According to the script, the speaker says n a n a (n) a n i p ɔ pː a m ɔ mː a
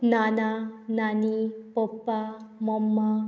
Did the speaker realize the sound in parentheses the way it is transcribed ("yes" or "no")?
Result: yes